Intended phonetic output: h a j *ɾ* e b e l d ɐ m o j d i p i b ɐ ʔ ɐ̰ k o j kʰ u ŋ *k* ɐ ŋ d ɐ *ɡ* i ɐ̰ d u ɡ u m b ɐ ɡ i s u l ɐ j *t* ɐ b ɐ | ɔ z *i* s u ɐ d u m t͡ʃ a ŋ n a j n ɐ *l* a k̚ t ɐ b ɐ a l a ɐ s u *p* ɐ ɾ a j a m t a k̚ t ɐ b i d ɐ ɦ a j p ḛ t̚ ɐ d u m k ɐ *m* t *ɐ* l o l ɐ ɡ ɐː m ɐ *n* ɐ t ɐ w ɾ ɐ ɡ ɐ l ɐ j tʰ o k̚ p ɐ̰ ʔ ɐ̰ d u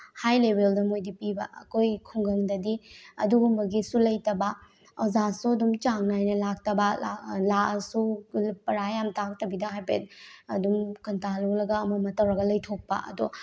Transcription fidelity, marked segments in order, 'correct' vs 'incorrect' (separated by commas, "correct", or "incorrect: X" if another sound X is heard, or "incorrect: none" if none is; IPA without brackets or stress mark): incorrect: l, incorrect: ɡ, incorrect: d, correct, incorrect: a, correct, correct, incorrect: n, incorrect: a, incorrect: m